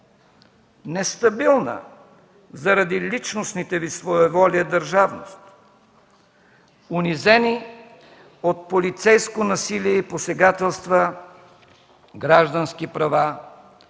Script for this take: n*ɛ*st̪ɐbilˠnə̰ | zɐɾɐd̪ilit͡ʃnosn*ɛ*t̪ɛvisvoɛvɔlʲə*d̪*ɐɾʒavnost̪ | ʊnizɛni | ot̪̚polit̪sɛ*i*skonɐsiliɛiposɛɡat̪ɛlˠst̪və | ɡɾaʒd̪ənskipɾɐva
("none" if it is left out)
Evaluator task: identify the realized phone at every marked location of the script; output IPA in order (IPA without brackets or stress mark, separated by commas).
ɛ, i, d̪, j